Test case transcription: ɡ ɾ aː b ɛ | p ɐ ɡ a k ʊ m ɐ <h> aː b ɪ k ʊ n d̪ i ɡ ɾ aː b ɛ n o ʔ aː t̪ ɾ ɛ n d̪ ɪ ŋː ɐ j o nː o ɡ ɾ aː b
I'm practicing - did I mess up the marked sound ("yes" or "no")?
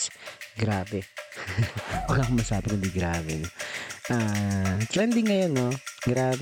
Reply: yes